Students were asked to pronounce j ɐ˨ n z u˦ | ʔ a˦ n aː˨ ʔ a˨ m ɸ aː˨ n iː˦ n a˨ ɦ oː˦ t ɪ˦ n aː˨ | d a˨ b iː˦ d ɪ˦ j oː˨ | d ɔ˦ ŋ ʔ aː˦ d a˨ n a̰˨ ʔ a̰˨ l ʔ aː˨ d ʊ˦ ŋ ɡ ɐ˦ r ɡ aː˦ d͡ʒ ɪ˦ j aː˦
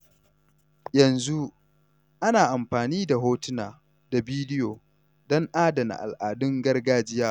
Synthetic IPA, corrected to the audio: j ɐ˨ n z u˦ | ʔ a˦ n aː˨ ʔ a˨ m ɸ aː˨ n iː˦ d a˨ ɦ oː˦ t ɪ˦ n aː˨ | d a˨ b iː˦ d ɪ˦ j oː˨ | d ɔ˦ ŋ ʔ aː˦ d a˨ n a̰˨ ʔ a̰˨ l ʔ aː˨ d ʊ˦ ŋ ɡ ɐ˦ r ɡ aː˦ d͡ʒ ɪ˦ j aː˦

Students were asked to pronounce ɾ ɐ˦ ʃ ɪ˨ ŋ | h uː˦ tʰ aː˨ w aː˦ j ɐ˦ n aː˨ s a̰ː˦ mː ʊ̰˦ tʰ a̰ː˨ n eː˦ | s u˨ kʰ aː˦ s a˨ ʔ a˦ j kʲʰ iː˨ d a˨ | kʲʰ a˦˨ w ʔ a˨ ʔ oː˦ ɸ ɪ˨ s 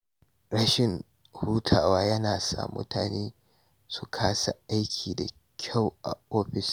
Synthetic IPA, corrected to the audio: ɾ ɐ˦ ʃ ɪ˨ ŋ | h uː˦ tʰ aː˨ w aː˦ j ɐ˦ n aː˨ s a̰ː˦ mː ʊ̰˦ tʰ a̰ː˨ n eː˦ | s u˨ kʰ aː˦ s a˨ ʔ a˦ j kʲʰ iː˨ d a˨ | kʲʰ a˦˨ w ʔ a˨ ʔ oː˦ ɸ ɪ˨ s

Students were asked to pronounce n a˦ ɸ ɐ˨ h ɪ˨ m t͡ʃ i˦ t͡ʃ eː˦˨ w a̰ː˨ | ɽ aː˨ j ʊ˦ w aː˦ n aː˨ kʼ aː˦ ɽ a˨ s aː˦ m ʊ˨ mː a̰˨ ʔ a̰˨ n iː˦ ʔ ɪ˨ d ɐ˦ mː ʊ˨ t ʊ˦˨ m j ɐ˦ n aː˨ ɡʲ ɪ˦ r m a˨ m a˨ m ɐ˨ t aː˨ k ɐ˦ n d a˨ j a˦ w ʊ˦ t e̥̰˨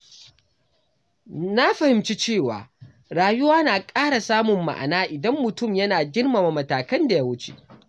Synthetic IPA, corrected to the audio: n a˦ ɸ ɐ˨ h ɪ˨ m t͡ʃ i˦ t͡ʃ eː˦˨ w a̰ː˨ | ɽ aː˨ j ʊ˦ w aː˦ n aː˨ kʼ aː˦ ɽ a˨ s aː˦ m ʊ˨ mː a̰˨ ʔ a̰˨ n aː˦ ʔ ɪ˨ d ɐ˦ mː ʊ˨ t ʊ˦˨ m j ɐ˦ n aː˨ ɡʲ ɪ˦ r m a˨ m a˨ m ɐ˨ t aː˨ k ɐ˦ n d a˨ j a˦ w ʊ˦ t͡ʃ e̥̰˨

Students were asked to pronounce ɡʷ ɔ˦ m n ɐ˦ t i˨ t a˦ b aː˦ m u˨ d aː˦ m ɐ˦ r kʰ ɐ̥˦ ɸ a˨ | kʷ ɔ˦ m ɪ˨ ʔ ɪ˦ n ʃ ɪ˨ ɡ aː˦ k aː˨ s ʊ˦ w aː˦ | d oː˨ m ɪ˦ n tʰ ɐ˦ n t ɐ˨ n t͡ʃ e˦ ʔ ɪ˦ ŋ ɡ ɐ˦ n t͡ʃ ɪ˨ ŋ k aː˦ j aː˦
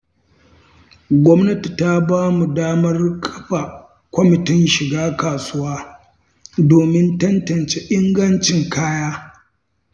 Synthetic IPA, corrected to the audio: ɡʷ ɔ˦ m n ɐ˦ t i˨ t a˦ b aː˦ m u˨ d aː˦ m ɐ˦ r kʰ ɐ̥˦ ɸ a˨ | kʷ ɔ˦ m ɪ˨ t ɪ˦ n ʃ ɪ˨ ɡ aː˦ k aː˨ s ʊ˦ w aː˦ | d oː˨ m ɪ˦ n t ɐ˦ n t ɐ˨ n t͡ʃ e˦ ʔ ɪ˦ ŋ ɡ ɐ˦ n t͡ʃ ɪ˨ ŋ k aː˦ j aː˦

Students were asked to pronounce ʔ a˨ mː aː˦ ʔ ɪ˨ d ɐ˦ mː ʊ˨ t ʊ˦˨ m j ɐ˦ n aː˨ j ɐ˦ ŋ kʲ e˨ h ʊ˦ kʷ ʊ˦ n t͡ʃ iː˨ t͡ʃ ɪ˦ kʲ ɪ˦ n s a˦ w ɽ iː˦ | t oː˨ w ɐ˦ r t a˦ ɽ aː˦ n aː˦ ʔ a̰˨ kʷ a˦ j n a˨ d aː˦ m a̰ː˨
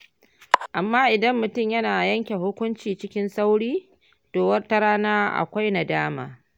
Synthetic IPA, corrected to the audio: ʔ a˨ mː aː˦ ʔ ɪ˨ d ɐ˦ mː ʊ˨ t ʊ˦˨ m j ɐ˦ n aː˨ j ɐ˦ ŋ kʲ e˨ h ʊ˦ kʷ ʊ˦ n t͡ʃ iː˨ t͡ʃ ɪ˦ kʲ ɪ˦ n s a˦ w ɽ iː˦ | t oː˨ w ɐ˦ r t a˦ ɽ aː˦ n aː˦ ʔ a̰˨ kʷ a˦ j n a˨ d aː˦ m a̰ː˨

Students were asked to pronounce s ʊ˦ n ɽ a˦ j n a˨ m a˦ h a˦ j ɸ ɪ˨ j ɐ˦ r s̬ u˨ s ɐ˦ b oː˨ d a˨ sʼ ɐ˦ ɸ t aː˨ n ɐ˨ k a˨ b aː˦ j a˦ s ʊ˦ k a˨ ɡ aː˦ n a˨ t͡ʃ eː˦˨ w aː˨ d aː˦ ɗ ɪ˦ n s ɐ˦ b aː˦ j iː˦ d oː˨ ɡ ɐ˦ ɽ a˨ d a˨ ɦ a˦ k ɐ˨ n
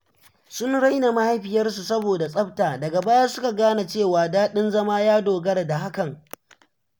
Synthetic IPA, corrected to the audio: s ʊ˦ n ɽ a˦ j n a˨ m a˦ h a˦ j ɸ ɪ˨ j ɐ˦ r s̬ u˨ s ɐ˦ b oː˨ d a˨ sʼ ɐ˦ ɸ t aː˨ d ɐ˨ ɡ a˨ b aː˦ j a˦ s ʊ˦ k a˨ ɡ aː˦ n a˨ t͡ʃ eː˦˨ w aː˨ d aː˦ ɗ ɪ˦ n z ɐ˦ m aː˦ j aː˦ d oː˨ ɡ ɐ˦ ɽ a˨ d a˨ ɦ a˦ k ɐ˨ ŋ

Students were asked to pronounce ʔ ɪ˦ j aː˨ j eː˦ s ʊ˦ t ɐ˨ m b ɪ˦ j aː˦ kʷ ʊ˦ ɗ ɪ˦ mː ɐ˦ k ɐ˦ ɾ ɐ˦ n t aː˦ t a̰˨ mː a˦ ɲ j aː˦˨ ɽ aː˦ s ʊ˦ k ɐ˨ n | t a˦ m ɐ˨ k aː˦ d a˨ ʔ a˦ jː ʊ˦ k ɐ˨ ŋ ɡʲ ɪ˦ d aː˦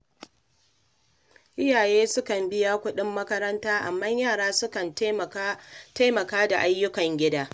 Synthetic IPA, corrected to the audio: ʔ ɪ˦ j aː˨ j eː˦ s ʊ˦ k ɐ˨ m b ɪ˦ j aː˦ kʷ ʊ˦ ɗ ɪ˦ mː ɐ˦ k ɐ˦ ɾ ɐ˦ n t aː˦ ʔ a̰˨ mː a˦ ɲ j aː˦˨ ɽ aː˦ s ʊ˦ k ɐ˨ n | t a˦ m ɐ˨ k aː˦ d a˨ ʔ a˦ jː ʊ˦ k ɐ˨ ŋ ɡʲ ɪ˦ d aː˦

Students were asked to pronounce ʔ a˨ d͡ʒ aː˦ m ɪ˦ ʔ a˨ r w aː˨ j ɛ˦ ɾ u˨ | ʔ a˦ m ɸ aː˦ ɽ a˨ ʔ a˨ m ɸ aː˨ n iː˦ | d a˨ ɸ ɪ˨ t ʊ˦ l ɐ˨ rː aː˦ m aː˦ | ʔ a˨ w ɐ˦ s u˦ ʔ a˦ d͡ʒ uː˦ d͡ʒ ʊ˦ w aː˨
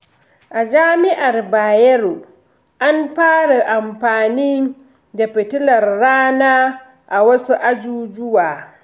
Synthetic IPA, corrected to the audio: ʔ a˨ d͡ʒ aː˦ m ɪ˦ ʔ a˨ r b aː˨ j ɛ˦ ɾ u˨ | ʔ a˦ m ɸ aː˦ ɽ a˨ ʔ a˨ m ɸ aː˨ n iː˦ | d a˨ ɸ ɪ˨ t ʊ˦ l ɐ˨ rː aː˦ n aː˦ | ʔ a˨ w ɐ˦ s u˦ ʔ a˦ d͡ʒ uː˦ d͡ʒ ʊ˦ w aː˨

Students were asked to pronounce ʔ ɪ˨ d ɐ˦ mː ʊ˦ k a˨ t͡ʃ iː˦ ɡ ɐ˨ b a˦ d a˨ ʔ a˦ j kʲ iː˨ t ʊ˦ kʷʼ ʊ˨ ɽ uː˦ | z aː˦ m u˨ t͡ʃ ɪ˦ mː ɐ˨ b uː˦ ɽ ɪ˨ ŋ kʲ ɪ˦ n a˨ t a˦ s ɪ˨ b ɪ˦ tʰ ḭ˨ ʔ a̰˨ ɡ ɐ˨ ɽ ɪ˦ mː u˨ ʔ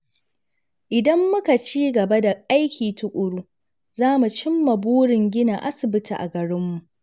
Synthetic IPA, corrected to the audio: ʔ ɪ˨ d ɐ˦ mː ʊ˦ k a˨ t͡ʃ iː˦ ɡ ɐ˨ b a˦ d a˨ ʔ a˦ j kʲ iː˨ t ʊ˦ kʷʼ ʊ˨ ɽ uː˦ | z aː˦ m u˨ t͡ʃ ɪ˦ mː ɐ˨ b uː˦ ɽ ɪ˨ ŋ ɡʲ ɪ˦ n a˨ ʔ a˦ s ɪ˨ b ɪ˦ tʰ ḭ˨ ʔ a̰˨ ɡ ɐ˨ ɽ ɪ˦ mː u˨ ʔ

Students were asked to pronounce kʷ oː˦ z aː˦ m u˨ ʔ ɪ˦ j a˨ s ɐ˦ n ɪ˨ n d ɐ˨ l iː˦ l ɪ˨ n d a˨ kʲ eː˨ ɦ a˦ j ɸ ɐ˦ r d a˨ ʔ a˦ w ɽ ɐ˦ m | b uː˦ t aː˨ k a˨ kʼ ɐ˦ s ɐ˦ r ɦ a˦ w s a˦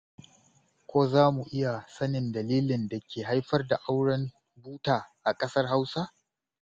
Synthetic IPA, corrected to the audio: kʷ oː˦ z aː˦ m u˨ ʔ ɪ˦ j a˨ s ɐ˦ n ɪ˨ n d ɐ˨ l iː˦ l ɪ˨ n d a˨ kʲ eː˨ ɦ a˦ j ɸ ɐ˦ r d a˨ ʔ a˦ w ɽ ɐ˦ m | b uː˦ t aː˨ ʔ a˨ kʼ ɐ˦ s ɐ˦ r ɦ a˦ w s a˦

